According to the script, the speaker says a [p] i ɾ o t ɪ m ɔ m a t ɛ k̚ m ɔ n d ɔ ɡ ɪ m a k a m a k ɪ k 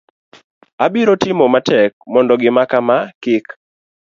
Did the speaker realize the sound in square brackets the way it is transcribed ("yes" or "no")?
no